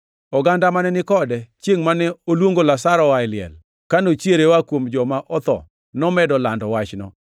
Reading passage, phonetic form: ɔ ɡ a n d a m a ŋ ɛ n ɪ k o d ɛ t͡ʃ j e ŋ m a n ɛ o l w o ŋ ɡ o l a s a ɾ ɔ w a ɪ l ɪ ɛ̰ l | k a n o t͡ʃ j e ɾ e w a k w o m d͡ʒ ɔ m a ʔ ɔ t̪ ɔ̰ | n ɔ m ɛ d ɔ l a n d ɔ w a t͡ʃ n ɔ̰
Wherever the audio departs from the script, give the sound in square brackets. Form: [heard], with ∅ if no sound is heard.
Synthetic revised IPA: ɔ ɡ a n d a m a [n] ɛ n ɪ k [ɔ] d ɛ t͡ʃ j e ŋ m a n ɛ o l w o ŋ ɡ o l a s a ɾ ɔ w a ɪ l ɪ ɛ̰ l | k a n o t͡ʃ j e ɾ e w a k w o m d͡ʒ ɔ m a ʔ ɔ t̪ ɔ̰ | n ɔ m ɛ d ɔ l a n d ɔ w a t͡ʃ n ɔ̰